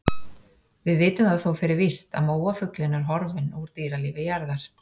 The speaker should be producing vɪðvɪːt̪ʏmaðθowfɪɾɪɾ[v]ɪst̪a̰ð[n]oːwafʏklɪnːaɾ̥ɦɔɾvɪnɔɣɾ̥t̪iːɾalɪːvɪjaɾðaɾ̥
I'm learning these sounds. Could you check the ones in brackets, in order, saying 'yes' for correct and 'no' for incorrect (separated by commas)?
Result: yes, no